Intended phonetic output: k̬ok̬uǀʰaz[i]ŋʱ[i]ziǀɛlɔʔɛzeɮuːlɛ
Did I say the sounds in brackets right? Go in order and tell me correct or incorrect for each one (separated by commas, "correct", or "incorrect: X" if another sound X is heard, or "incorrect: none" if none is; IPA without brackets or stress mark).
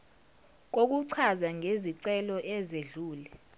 incorrect: a, incorrect: e